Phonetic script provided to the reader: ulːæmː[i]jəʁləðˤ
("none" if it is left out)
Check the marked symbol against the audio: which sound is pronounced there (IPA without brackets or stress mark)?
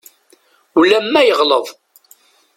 æ